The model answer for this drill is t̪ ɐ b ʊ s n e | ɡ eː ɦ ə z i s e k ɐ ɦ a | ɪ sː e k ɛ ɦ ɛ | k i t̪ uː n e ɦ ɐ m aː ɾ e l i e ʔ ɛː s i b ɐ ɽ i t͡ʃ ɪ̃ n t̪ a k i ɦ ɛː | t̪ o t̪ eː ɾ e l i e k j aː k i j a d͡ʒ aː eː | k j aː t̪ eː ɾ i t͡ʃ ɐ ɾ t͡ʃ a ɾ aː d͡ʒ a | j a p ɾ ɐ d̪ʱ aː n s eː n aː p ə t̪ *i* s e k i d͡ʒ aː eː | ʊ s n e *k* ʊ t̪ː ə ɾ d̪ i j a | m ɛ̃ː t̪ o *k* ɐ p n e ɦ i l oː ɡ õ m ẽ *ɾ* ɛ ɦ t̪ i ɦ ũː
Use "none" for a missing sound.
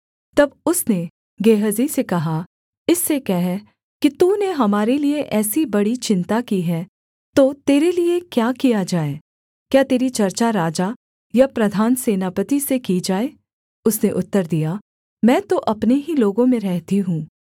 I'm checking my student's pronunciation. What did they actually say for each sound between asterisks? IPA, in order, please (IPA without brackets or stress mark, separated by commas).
i, ʔ, ʔ, ɾ